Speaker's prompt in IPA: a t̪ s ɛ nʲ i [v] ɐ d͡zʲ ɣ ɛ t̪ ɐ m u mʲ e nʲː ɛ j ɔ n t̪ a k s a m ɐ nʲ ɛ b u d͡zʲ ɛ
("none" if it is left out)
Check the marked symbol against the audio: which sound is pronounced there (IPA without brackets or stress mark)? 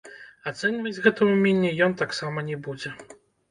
v